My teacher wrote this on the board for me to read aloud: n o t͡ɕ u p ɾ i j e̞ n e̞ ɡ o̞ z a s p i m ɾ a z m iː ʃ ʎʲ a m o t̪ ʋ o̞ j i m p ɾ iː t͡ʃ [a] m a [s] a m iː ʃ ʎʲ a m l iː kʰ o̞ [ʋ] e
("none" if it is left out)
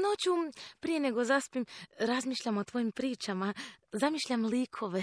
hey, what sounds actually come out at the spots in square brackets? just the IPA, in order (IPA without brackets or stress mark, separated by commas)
a, z, ʋ